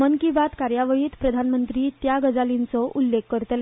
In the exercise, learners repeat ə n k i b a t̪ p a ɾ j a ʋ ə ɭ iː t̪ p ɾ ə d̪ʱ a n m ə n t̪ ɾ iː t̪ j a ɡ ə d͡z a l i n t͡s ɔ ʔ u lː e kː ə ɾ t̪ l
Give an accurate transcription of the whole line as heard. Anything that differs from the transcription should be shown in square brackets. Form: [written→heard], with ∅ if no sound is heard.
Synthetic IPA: ə n k i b a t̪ [p→k] a ɾ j a ʋ ə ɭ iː t̪ p ɾ ə d̪ʱ a n m ə n t̪ ɾ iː t̪ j a ɡ ə d͡z a l i n t͡s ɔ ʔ u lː e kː ə ɾ t̪ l